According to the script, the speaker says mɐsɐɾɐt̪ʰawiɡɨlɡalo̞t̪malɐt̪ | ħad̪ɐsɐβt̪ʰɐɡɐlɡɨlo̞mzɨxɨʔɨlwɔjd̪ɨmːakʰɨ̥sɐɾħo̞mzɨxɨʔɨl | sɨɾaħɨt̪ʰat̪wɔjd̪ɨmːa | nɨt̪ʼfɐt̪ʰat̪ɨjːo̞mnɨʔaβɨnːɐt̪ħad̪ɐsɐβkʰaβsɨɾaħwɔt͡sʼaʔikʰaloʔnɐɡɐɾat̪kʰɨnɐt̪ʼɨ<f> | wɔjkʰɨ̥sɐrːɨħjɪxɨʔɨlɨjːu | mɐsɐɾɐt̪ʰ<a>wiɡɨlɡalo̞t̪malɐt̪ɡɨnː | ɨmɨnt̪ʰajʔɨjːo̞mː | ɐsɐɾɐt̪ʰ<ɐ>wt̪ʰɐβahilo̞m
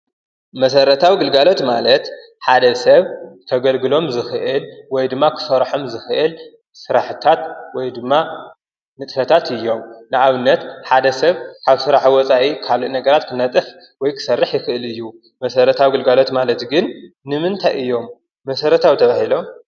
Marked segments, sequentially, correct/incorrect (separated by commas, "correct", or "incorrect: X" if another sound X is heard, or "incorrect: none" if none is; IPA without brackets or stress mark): correct, correct, incorrect: a